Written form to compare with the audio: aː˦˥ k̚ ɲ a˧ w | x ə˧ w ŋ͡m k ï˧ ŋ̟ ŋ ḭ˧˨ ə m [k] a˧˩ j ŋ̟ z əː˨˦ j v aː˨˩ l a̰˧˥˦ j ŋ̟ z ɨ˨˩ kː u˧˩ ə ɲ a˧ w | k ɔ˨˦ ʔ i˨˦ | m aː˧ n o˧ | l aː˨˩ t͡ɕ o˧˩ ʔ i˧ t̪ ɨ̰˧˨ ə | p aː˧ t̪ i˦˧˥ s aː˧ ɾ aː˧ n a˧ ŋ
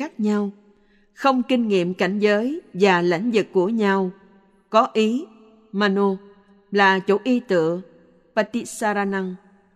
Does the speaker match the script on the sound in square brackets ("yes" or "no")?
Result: yes